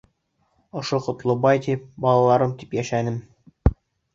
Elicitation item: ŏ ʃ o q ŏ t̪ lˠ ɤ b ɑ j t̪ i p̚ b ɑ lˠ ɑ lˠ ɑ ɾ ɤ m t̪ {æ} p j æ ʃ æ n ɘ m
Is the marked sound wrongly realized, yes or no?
yes